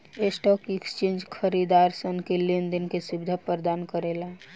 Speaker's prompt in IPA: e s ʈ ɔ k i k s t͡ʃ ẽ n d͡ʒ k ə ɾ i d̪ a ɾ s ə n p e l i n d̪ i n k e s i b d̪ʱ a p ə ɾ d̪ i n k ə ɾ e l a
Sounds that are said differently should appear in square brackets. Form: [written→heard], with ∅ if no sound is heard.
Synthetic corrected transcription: e s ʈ ɔ k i k s t͡ʃ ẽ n d͡ʒ [k→kʰ] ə ɾ i d̪ a ɾ s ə n [p→k] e l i n d̪ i n k e s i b d̪ʱ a p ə ɾ d̪ [i→a] n k ə ɾ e l a